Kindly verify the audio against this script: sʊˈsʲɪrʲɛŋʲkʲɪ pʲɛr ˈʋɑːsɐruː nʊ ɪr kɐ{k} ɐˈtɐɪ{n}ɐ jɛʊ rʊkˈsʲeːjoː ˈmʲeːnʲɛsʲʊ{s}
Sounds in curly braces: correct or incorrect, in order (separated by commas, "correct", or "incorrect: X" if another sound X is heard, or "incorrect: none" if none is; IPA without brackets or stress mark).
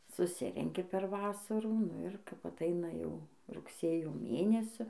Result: incorrect: p, correct, incorrect: none